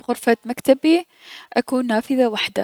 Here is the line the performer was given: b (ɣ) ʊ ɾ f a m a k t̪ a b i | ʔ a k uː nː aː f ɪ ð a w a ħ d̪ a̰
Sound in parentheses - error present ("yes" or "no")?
no